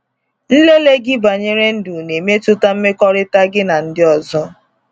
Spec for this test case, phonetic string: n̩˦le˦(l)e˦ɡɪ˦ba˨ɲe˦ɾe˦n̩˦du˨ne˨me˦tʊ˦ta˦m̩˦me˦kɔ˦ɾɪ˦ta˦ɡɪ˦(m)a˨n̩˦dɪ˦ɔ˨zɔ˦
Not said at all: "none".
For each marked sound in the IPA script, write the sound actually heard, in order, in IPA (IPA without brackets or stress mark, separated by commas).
l, n